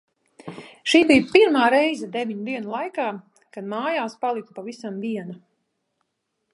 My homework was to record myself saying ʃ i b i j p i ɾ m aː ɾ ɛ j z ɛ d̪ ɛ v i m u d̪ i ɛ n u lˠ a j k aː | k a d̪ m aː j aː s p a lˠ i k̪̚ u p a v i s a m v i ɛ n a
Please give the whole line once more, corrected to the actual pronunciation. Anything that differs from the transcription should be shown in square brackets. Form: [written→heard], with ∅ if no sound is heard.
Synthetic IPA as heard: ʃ [i→iː] b i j p i ɾ m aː ɾ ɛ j z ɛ d̪ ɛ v i [m→ɲ] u d̪ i ɛ n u lˠ a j k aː | k a d̪ m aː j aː s p a lˠ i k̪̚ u p a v i s a m v i ɛ n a